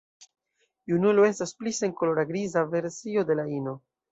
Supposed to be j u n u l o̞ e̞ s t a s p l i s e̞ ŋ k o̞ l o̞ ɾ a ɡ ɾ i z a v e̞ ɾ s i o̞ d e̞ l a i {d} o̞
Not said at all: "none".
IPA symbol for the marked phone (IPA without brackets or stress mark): n